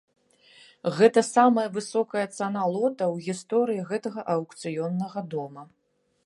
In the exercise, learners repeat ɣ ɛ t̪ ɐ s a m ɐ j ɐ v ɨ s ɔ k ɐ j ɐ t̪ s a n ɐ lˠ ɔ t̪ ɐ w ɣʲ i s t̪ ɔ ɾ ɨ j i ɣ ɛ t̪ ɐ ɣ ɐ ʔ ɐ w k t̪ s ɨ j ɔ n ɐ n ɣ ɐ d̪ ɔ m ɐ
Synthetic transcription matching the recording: ɣ ɛ t̪ ɐ s a m ɐ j ɐ v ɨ s ɔ k ɐ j ɐ t̪ s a n a lˠ ɔ t̪ ɐ w ɣʲ i s t̪ ɔ ɾ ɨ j i ɣ ɛ t̪ ɐ ɣ ɐ ʔ ɐ w k t̪ s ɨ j ɔ nː ɐ ɣ ɐ d̪ ɔ m ɐ